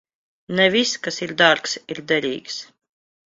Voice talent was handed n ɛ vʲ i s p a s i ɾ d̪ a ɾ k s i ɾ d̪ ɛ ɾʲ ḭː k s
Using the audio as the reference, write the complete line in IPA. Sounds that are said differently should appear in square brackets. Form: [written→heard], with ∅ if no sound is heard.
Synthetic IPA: n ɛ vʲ i s [p→k] a s i ɾ d̪ a ɾ k s i ɾ d̪ ɛ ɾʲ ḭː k s